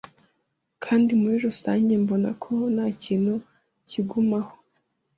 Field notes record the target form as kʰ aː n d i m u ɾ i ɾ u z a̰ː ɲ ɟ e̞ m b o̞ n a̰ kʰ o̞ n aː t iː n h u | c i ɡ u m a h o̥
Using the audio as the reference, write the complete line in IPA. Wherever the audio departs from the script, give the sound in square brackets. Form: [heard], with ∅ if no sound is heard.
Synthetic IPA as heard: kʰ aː n d i m u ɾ i ɾ u [s] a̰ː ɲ ɟ e̞ m b o̞ n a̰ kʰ o̞ n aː [c] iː n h u | c i ɡ u m a h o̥